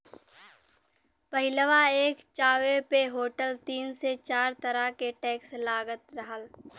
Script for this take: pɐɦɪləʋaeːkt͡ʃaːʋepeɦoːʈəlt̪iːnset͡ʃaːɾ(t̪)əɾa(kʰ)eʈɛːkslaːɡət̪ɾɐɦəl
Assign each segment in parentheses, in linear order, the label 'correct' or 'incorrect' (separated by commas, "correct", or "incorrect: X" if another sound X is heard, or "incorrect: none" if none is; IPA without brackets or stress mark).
correct, incorrect: k